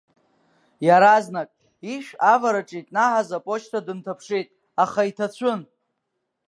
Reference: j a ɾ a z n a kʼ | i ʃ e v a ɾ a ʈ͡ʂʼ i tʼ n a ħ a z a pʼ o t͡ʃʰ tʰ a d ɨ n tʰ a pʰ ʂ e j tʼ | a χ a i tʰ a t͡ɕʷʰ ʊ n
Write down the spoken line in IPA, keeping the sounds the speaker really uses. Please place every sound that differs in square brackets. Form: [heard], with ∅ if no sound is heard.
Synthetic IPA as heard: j a ɾ a z n a kʼ | i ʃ [a] v a ɾ a ʈ͡ʂʼ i tʼ n a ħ a z a pʼ o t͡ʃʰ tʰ a d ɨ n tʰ a pʰ ʂ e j tʼ | a χ a i tʰ a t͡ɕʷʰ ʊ n